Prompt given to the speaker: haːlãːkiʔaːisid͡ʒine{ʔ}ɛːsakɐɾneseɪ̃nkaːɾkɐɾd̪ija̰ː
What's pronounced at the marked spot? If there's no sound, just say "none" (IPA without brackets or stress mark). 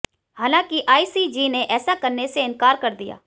ʔ